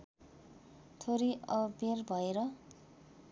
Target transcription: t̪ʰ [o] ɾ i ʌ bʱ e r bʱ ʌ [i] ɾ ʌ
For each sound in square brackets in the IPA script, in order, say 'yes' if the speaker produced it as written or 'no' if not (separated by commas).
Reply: yes, no